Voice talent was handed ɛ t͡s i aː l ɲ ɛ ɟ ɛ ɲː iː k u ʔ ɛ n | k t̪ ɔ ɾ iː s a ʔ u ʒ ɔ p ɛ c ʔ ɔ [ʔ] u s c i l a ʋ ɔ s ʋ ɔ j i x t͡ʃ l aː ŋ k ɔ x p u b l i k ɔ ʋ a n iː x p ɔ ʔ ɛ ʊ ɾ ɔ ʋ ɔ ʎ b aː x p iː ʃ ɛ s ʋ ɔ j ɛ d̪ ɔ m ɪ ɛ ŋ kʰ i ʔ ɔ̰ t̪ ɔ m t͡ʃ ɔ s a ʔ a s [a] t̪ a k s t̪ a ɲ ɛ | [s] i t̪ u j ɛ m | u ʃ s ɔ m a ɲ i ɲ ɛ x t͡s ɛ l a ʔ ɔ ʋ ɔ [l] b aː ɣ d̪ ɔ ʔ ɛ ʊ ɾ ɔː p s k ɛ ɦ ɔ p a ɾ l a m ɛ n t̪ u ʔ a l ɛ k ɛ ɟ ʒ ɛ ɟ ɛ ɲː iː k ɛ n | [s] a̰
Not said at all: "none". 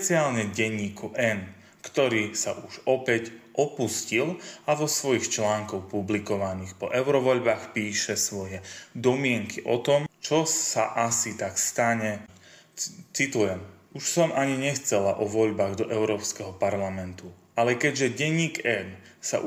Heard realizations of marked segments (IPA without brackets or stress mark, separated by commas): p, i, t͡s, ʎ, s